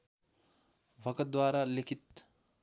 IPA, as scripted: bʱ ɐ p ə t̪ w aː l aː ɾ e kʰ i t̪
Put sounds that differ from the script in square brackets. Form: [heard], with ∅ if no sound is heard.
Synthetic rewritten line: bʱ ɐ [k] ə [d̪] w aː [ɾ] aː [l] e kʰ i t̪